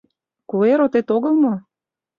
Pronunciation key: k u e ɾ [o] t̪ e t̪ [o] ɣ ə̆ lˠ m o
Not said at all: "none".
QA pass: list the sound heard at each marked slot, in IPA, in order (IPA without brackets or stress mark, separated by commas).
o, o